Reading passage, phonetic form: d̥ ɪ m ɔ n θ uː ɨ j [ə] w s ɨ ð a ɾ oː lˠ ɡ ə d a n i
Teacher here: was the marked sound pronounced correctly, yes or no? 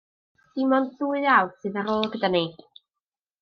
no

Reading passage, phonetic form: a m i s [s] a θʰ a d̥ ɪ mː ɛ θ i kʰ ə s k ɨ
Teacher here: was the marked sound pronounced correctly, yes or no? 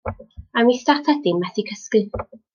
no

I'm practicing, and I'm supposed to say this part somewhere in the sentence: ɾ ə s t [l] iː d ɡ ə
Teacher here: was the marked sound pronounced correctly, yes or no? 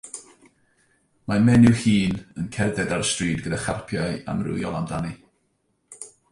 no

